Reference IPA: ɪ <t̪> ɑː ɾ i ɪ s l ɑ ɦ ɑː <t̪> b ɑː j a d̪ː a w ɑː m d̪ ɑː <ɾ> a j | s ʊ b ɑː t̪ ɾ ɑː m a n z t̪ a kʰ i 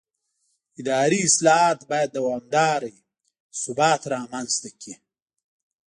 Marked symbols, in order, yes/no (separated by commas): no, yes, yes